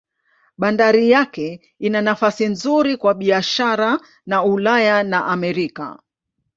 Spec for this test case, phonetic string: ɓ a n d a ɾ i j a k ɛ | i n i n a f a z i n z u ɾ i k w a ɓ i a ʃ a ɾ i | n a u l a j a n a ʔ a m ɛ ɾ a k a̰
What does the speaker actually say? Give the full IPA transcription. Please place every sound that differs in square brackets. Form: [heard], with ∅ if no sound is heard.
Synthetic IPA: ɓ a n d a ɾ i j a k ɛ | i n [a] n a f a [s] i n z u ɾ i k w a ɓ i a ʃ a ɾ [a] | n a u l a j a n a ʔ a m ɛ ɾ [i] k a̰